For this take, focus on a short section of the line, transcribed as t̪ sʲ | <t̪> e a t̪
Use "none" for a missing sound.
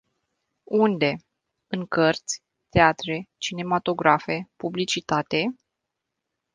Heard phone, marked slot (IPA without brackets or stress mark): t̪